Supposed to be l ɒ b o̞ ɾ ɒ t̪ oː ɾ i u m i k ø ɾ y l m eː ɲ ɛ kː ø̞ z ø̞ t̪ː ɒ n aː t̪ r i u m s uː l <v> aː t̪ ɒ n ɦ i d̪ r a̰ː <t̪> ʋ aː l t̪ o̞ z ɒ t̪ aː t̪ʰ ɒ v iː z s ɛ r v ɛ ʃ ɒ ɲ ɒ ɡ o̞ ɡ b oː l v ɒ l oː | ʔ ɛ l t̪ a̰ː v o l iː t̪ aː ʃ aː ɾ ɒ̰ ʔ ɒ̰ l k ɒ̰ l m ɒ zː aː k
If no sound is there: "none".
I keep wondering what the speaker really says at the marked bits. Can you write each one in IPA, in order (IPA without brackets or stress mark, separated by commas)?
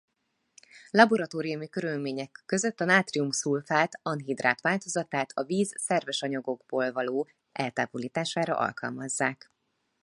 f, t̪